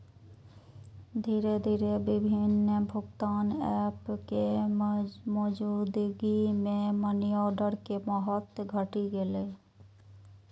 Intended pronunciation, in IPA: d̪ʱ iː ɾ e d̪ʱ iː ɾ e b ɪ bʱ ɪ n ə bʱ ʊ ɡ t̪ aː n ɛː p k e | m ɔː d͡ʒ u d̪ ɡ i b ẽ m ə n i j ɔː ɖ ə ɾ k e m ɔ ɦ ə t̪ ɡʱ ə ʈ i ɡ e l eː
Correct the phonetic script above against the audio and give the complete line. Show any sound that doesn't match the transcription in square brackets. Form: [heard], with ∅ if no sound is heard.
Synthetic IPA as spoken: d̪ʱ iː ɾ e d̪ʱ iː ɾ e b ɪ bʱ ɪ n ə bʱ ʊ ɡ t̪ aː n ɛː p k e | m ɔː d͡ʒ u d̪ ɡ i [m] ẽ m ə n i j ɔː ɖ ə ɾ k e m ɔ ɦ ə t̪ ɡʱ ə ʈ i ɡ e l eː

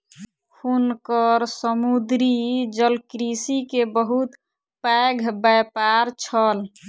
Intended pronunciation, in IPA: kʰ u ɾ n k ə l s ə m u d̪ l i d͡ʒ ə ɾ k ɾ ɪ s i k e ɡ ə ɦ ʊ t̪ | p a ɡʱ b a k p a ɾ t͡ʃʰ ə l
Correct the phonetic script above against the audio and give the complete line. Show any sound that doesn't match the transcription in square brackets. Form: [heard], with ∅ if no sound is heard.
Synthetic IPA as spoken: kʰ u [∅] n k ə [ɾ] s ə m u d̪ [ɾ] i d͡ʒ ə [l] k ɾ [i] s i k e [b] ə ɦ [u] t̪ | p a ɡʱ b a [∅] p a ɾ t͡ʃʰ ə l

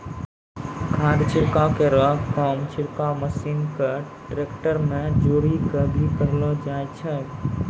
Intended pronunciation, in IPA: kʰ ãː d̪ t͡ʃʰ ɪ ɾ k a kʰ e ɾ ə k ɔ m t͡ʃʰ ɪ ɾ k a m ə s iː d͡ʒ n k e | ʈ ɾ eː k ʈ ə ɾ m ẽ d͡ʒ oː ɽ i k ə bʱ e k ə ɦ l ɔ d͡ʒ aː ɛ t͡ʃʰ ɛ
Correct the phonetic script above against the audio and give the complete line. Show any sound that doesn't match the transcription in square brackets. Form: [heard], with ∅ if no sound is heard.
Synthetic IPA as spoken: kʰ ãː d̪ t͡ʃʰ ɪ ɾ k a [k] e ɾ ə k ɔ m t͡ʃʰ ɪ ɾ k a m ə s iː [∅] n k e | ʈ ɾ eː k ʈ ə ɾ m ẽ d͡ʒ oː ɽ i k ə bʱ [i] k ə ɦ l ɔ d͡ʒ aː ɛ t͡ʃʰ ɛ

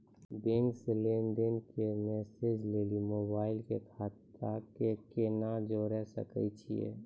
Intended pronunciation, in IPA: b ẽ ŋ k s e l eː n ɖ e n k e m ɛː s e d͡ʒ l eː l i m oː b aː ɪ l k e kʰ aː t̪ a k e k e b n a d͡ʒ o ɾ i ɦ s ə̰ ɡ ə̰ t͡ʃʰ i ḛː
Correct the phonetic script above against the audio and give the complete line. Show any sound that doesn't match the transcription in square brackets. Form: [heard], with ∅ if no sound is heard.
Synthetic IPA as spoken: b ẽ ŋ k s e l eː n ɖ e n k e m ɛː s e d͡ʒ l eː l i m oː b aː ɪ l k e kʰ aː t̪ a k e k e [∅] n a d͡ʒ o ɾ [ɛ] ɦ s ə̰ [k] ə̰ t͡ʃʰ i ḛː

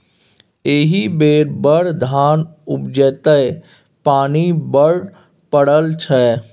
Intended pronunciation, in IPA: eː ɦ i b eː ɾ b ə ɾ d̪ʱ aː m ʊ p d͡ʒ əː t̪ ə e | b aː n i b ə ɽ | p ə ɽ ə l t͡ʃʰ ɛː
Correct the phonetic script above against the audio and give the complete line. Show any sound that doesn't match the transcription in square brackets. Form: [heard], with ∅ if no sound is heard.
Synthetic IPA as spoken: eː ɦ i b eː ɾ b ə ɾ d̪ʱ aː [n] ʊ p d͡ʒ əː t̪ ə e | [p] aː n i b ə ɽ | p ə ɽ ə l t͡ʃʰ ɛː

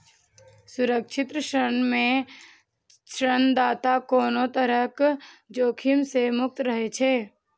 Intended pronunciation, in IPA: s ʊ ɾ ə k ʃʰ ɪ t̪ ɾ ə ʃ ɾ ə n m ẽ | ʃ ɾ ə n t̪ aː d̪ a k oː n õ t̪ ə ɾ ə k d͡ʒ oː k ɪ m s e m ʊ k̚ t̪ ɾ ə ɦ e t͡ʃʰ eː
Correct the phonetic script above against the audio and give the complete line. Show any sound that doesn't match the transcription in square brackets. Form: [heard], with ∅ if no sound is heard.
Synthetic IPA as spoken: s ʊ ɾ ə k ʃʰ ɪ t̪ ɾ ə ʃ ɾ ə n m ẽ | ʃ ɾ ə n [d̪] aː [t̪] a k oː n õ t̪ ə ɾ ə k d͡ʒ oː [kʰ] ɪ m s e m ʊ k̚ t̪ ɾ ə ɦ e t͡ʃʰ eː

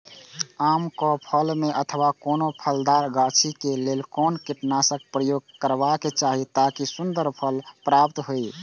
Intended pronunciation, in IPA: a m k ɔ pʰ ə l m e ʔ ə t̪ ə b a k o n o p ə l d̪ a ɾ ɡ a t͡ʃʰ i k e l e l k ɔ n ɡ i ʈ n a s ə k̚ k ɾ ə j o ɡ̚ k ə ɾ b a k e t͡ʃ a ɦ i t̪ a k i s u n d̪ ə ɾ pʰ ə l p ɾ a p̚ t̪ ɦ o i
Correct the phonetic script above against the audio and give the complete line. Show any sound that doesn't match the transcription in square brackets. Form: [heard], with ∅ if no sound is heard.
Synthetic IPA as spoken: a m k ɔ pʰ ə l m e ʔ ə [t̪ʰ] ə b a k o n o [pʰ] ə l d̪ a ɾ ɡ a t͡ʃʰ i k e l e l k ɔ n [k] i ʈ n a s ə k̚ [p] ɾ ə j o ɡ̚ k ə ɾ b a k e t͡ʃ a ɦ i t̪ a k i s u n d̪ ə ɾ pʰ ə l p ɾ a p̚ t̪ ɦ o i

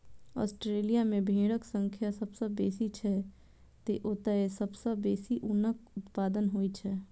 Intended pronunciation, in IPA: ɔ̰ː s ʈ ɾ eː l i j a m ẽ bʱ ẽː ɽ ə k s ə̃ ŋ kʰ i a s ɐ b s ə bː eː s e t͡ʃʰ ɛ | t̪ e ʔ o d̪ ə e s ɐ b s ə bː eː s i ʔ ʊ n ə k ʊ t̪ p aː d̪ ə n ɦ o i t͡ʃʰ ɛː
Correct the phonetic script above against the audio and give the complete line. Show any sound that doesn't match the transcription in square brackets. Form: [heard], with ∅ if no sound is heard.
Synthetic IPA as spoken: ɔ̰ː s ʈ ɾ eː l i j a m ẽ bʱ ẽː ɽ ə k s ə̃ ŋ kʰ [j] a s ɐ b s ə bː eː s [i] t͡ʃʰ ɛ | t̪ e ʔ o [t̪] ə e s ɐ b s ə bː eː s i ʔ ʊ n ə k ʊ t̪ p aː d̪ ə n ɦ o i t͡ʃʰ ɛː

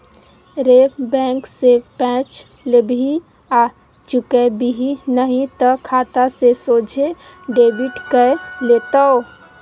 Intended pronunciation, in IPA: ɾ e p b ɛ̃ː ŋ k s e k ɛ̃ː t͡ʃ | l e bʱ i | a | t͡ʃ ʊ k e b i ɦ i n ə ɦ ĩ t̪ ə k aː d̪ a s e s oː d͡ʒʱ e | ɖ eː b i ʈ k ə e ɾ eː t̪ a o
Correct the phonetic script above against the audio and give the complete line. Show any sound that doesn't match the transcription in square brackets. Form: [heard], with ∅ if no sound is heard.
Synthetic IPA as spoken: ɾ e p b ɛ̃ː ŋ k s e [p] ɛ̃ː t͡ʃ | l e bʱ i | a | t͡ʃ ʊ k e b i ɦ i n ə ɦ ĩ t̪ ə [kʰ] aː [t̪] a s e s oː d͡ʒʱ e | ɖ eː b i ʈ k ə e [l] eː t̪ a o

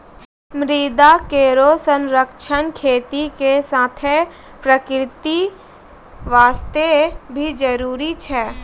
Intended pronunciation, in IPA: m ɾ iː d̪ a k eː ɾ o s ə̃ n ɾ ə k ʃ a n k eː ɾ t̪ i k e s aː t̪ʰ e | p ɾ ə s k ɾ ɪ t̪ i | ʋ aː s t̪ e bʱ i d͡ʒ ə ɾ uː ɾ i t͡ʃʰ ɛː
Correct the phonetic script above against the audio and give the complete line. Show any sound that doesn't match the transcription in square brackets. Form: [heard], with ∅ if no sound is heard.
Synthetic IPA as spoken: m ɾ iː d̪ a k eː ɾ o s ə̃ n ɾ ə k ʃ [ə] n [kʰ] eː [∅] t̪ i k e s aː t̪ʰ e | p ɾ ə [∅] k ɾ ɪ t̪ i | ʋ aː s t̪ e bʱ i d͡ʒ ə ɾ uː ɾ i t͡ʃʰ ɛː

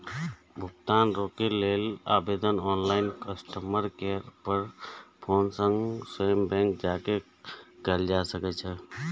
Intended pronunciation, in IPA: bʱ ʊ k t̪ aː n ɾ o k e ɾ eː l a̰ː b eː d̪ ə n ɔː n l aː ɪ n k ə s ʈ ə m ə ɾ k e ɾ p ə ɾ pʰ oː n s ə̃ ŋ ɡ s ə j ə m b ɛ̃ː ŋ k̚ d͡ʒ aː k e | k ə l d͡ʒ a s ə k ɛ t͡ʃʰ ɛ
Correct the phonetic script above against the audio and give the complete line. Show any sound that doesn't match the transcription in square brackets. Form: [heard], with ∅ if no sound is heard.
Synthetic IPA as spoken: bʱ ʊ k t̪ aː n ɾ o k e [l] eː l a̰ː b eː d̪ ə n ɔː n l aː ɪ n k ə s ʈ ə m ə ɾ k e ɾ p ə ɾ pʰ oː n s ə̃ ŋ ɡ s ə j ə m b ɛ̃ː ŋ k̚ d͡ʒ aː k e | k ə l d͡ʒ a s ə k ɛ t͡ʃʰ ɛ

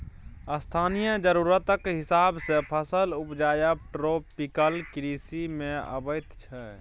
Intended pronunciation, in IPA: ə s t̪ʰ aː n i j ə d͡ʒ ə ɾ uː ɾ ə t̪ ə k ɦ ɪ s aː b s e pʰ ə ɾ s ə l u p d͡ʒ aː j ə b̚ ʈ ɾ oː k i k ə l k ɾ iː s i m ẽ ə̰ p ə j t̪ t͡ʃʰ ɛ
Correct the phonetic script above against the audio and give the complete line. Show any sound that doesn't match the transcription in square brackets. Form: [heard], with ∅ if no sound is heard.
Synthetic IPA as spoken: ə s t̪ʰ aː n i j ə d͡ʒ ə ɾ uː ɾ ə t̪ ə k ɦ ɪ s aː b s e pʰ ə [∅] s ə l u p d͡ʒ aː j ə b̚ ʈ ɾ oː [p] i k ə l k ɾ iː s i m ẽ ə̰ [b] ə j t̪ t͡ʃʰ ɛ

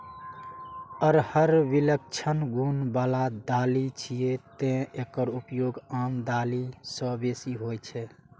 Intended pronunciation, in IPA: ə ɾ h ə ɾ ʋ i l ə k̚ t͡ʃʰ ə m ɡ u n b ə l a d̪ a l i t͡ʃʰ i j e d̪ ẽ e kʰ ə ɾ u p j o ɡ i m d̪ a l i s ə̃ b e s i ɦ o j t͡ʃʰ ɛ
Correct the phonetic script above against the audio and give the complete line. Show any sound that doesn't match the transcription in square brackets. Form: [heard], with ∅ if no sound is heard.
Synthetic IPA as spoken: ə ɾ h ə ɾ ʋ i l ə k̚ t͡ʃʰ ə [n] ɡ u n b [a] l a d̪ a l i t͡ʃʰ i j e [t̪] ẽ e [k] ə ɾ u p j o ɡ [a] m d̪ a l i s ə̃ b e s i ɦ o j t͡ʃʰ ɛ

